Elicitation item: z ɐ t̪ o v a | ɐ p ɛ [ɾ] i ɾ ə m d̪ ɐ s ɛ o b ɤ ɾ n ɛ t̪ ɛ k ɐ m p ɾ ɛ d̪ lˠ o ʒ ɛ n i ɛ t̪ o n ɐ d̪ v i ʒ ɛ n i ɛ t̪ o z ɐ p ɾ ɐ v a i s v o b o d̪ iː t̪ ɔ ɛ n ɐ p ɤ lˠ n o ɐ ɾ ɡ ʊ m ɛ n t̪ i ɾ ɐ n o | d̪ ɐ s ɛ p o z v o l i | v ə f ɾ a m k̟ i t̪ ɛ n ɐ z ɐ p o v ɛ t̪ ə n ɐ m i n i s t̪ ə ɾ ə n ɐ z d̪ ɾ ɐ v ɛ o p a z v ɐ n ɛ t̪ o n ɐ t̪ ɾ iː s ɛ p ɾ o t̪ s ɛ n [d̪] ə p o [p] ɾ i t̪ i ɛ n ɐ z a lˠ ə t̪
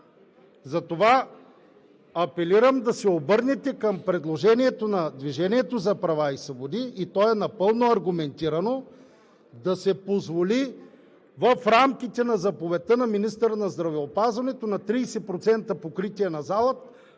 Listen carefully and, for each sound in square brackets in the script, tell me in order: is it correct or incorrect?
incorrect: l, incorrect: t̪, incorrect: k

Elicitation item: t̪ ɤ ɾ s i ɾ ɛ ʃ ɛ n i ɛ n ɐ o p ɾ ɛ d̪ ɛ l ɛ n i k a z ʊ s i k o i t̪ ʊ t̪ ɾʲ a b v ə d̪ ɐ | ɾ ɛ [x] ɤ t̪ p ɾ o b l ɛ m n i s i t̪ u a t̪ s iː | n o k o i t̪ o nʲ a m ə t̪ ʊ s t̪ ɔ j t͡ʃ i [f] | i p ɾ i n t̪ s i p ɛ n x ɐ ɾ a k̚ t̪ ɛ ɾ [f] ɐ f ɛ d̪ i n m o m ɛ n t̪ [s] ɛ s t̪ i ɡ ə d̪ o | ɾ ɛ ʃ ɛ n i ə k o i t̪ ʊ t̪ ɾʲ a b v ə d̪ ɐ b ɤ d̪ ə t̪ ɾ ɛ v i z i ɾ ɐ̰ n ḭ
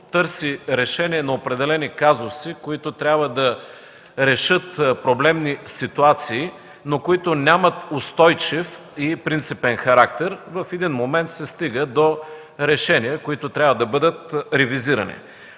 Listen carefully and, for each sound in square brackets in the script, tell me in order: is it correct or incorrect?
incorrect: ʃ, correct, incorrect: v, correct

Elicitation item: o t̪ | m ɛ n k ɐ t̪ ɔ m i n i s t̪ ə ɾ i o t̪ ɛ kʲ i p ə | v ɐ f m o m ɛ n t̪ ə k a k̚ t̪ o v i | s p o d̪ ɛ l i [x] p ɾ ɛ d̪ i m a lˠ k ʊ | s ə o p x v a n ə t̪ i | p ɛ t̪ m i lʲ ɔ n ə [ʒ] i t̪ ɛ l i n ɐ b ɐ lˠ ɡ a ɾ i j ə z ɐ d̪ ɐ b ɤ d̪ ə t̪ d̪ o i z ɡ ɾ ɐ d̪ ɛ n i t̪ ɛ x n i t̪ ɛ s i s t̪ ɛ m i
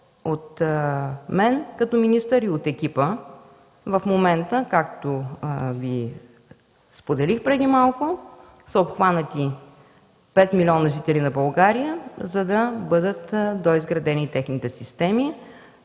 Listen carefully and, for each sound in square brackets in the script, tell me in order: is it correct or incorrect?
correct, correct

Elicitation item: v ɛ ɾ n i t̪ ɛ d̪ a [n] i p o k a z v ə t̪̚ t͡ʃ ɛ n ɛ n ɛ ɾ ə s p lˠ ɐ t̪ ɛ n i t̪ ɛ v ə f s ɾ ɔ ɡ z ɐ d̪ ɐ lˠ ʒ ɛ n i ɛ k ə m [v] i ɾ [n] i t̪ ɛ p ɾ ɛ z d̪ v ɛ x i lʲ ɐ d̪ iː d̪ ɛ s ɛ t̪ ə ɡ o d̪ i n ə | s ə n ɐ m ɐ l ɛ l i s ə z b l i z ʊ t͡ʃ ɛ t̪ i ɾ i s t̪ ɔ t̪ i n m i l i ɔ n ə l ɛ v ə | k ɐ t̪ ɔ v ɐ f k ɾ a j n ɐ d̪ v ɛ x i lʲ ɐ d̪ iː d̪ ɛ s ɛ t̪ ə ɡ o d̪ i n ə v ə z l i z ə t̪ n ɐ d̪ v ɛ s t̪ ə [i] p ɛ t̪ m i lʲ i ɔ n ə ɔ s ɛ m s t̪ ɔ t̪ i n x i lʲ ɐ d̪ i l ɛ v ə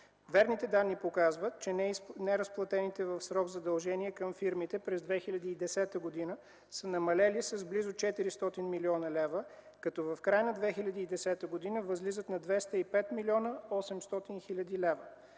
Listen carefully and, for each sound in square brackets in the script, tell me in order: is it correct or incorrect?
incorrect: nː, incorrect: f, incorrect: m, correct

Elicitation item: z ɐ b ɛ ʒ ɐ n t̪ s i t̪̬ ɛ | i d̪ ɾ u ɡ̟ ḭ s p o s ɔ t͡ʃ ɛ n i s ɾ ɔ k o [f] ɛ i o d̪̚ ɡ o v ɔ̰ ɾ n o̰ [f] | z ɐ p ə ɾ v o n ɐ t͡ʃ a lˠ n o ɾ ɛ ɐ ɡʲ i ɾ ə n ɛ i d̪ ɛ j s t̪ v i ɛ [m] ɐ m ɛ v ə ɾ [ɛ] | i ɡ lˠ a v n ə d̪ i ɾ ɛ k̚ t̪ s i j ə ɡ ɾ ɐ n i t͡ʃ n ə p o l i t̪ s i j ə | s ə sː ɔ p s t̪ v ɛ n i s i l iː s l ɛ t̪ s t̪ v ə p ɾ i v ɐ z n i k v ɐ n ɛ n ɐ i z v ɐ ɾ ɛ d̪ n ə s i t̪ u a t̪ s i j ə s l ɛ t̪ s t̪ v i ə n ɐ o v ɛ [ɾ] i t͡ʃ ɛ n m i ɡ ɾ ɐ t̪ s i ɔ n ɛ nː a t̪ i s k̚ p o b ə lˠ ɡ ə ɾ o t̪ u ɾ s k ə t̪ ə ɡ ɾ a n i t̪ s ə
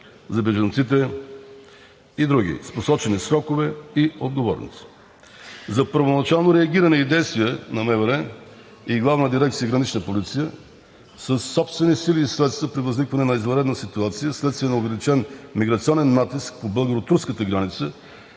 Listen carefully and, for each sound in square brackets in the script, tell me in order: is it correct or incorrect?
incorrect: v, incorrect: s, incorrect: n, correct, incorrect: l

